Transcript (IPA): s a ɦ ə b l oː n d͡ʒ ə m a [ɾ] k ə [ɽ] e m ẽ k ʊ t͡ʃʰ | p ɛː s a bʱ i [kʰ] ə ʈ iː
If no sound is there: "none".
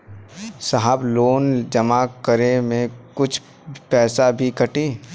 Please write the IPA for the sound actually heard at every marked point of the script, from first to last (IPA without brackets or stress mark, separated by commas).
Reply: none, ɾ, k